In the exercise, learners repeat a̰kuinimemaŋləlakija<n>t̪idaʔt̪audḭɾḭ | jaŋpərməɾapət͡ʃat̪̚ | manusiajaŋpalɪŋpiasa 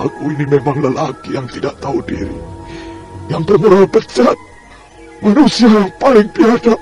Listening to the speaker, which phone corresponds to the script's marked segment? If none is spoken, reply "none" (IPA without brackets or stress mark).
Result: ŋ